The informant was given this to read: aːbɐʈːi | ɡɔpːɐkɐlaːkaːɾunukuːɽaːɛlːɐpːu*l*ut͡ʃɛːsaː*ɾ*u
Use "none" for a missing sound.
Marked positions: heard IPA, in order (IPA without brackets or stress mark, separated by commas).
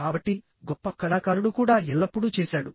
ɽ, ɽ